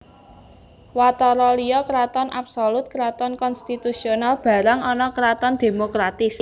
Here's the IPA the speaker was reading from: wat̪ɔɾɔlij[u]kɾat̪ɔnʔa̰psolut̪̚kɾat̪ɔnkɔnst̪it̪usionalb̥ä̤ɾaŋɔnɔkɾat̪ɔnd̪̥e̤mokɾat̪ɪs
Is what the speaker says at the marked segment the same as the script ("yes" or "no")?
no